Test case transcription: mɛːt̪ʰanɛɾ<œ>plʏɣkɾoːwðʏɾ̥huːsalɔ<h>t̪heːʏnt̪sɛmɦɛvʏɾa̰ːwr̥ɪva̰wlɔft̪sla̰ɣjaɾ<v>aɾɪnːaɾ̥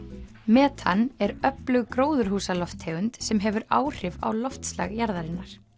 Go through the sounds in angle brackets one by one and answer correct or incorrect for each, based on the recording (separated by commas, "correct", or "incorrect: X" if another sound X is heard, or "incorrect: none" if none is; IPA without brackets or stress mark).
correct, incorrect: f, incorrect: ð